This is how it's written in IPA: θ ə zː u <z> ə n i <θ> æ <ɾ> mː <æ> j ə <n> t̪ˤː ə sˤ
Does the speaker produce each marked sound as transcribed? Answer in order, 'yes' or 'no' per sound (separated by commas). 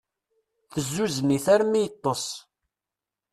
yes, yes, yes, no, no